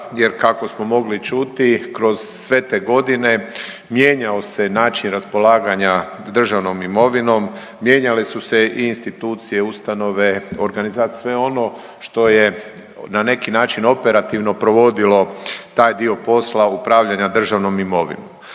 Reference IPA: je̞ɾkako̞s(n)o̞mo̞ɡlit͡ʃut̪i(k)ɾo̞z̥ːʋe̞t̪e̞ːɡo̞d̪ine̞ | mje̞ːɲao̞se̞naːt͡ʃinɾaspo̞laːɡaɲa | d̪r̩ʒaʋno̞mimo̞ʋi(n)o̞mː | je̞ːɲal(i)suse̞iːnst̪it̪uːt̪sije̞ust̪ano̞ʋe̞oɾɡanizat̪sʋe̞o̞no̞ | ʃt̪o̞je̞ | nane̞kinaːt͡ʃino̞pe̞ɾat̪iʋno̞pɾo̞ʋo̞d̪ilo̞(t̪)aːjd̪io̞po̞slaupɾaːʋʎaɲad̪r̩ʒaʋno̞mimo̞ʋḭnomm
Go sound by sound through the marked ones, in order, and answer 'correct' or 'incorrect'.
incorrect, correct, correct, incorrect, correct

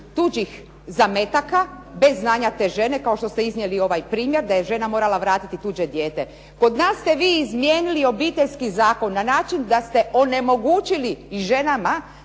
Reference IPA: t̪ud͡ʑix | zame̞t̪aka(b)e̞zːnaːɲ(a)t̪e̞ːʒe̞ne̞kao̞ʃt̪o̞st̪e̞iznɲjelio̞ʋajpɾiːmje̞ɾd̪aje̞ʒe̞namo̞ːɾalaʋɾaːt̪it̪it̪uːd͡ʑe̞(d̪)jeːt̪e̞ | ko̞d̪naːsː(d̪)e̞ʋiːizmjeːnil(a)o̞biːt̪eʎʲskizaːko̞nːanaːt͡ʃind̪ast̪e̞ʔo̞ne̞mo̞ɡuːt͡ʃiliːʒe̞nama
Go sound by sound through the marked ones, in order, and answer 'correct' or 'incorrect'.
correct, correct, correct, incorrect, incorrect

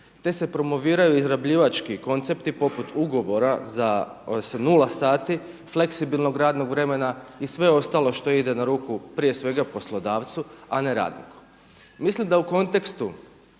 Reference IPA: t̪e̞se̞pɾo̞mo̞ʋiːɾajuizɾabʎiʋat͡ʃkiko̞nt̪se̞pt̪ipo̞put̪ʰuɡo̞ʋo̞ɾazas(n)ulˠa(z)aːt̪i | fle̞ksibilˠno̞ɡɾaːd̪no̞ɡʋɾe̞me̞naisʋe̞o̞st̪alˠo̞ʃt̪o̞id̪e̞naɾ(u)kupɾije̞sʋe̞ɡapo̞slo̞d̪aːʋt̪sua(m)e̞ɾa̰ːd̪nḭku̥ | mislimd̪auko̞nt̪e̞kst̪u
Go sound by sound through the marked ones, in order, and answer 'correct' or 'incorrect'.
correct, incorrect, incorrect, incorrect

